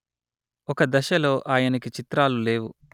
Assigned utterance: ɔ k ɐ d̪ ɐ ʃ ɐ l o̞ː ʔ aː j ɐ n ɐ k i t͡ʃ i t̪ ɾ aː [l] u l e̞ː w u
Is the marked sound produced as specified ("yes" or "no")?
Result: yes